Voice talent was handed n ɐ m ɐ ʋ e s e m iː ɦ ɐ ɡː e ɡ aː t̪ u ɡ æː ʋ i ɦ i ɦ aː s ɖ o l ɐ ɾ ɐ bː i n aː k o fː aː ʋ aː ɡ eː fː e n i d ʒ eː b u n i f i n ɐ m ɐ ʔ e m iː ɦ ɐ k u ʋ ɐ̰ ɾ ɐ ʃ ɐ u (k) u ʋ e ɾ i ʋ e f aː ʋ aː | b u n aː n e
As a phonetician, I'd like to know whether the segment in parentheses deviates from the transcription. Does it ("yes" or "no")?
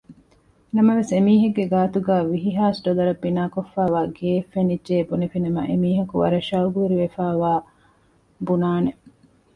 yes